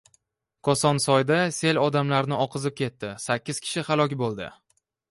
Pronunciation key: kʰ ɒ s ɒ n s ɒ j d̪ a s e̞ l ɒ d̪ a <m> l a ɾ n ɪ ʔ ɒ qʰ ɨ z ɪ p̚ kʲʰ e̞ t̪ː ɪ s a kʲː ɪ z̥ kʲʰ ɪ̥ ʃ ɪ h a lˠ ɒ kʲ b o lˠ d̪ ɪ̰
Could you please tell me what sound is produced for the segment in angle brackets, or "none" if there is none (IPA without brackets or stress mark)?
m